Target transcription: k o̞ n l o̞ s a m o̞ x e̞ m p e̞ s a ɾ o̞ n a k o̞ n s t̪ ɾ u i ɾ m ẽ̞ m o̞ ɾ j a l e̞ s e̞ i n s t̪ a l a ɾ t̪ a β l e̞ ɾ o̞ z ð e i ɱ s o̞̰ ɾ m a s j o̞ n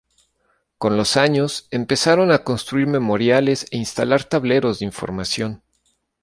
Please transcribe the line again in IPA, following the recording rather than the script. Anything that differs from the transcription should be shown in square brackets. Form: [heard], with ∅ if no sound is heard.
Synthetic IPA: k o̞ n l o̞ s a [ɲ] o̞ [s] e̞ m p e̞ s a ɾ o̞ n a k o̞ n s t̪ ɾ u i ɾ m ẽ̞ m o̞ ɾ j a l e̞ s e̞ i n s t̪ a l a ɾ t̪ a β l e̞ ɾ o̞ z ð e i ɱ [f] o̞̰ ɾ m a s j o̞ n

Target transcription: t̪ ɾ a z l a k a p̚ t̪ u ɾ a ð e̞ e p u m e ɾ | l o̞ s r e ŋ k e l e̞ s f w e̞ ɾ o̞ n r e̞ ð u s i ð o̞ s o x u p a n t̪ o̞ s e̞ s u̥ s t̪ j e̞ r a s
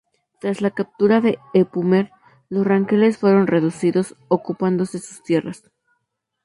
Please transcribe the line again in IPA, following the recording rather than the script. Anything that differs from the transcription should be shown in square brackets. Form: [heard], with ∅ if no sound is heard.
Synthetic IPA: t̪ ɾ a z l a k a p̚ t̪ u ɾ a ð e̞ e p u m e ɾ | l o̞ s r [a] ŋ k e l e̞ s f w e̞ ɾ o̞ n r e̞ ð u s i ð o̞ s o [k] u p a n [d̪] o̞ s e̞ s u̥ s t̪ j e̞ r a s

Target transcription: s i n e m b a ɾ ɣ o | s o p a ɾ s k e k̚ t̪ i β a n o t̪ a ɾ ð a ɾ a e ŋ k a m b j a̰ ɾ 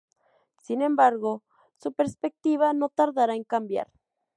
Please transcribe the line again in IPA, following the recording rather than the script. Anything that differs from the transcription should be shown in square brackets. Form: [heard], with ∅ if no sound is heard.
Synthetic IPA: s i n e m b a ɾ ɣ o | s [u] p [e] ɾ s [p] e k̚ t̪ i β a n o t̪ a ɾ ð a ɾ a e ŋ k a m b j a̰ ɾ

